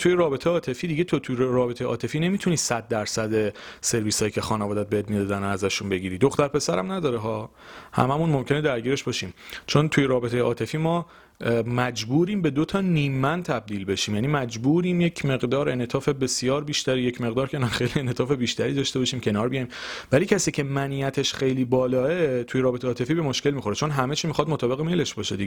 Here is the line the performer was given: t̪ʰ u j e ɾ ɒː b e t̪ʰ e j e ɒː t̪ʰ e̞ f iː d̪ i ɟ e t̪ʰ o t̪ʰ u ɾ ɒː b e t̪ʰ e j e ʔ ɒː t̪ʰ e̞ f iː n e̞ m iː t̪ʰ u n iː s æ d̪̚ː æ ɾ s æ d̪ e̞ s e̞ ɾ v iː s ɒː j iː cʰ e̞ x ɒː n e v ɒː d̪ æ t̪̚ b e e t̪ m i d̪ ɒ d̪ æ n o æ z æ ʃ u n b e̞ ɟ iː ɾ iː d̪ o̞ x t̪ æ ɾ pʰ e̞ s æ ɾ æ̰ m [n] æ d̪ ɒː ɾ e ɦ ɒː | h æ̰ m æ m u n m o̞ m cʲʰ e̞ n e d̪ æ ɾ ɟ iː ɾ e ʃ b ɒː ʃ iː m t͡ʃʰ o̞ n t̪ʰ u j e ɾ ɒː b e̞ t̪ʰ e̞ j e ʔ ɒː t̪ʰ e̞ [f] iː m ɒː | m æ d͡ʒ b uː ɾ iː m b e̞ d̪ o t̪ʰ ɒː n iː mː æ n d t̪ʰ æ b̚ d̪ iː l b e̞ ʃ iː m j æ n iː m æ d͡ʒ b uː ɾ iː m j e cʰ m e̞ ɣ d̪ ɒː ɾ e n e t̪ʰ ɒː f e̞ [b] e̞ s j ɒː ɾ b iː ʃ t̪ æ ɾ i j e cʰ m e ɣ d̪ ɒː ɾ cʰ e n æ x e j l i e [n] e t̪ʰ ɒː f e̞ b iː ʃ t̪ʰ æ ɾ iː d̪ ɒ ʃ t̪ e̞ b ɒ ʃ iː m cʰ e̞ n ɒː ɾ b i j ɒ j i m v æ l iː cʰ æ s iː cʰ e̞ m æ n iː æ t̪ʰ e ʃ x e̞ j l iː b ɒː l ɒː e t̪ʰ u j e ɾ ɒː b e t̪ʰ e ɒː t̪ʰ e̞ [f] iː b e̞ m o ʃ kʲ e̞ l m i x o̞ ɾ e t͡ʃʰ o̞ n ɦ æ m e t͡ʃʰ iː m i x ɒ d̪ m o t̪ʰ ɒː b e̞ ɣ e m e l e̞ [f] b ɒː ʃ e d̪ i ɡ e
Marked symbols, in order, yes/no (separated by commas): yes, yes, yes, yes, yes, no